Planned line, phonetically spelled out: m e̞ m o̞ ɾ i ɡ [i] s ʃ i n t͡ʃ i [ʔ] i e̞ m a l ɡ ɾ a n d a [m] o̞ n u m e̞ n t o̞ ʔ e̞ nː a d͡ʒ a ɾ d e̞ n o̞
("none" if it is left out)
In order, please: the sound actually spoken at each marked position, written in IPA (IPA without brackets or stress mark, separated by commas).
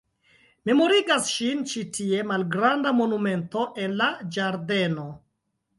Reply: a, t, m